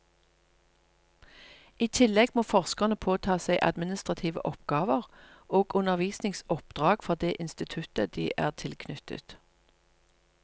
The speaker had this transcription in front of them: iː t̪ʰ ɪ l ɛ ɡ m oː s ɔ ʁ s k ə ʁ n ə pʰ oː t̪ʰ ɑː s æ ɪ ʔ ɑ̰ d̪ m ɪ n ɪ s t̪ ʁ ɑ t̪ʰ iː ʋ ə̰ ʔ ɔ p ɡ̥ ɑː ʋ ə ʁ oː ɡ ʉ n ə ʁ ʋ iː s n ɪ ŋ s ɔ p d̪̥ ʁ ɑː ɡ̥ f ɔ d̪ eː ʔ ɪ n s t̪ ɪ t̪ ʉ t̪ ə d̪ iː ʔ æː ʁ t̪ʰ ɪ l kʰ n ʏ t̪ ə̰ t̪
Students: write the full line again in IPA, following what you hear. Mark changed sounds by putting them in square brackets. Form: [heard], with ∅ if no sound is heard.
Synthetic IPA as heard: iː t̪ʰ ɪ l ɛ ɡ m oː [f] ɔ ʁ s k ə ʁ n ə pʰ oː t̪ʰ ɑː s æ ɪ ʔ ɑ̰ d̪ m ɪ n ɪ s t̪ ʁ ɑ t̪ʰ iː ʋ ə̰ ʔ ɔ p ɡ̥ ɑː ʋ ə ʁ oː ɡ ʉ n ə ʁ ʋ iː s n ɪ ŋ s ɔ p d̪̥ ʁ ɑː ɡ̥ f ɔ d̪ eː ʔ ɪ n s t̪ ɪ [t̪ʰ] ʉ t̪ ə d̪ iː ʔ æː ʁ t̪ʰ ɪ l kʰ n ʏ t̪ ə̰ t̪